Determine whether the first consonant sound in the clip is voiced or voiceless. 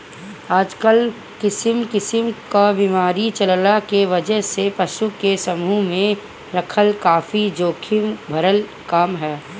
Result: voiced